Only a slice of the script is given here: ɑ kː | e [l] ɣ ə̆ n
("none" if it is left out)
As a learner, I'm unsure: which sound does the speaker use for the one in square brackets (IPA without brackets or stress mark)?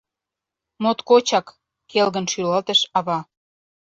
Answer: l